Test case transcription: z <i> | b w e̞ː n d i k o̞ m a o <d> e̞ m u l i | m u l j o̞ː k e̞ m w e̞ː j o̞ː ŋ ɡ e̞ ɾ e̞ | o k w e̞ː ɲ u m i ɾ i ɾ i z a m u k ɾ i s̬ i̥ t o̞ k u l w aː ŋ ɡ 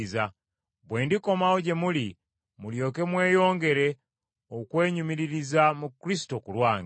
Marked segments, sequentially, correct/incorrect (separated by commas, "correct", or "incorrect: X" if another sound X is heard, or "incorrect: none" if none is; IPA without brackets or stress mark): incorrect: a, incorrect: ɟ